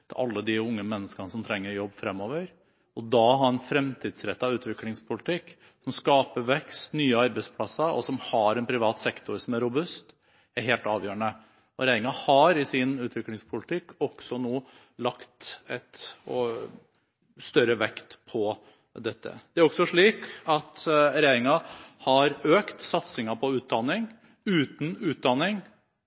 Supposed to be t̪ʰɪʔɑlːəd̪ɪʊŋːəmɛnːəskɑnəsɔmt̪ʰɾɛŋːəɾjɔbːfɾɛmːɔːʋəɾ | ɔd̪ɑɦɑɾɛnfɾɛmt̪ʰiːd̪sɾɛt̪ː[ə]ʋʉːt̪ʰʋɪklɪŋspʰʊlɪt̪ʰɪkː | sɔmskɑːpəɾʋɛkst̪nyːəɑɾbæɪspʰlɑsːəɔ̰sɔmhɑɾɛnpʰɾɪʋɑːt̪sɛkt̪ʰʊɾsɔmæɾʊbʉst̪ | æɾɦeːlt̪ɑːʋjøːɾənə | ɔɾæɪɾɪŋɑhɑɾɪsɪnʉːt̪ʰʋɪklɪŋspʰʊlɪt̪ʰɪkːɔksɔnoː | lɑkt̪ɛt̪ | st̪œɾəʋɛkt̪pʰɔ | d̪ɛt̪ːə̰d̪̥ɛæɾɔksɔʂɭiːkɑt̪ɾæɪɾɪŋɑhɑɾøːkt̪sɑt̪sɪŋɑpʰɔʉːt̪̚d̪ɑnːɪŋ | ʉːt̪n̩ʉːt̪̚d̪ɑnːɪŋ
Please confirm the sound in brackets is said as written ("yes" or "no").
no